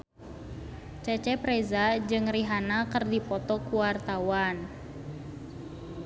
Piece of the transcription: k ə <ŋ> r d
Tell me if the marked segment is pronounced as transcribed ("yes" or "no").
no